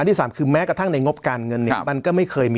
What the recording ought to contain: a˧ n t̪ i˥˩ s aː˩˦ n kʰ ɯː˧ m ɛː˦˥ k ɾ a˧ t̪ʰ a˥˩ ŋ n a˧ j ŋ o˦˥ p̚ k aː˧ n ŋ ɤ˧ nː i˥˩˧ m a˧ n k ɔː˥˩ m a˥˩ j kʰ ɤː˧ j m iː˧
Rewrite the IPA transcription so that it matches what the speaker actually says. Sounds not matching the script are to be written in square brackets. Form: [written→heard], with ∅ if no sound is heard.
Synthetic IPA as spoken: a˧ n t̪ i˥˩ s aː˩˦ [n→m] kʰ ɯː˧ m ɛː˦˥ k ɾ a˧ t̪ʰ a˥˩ ŋ n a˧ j ŋ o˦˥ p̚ k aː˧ n ŋ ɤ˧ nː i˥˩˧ m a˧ n k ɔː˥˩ m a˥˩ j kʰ ɤː˧ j m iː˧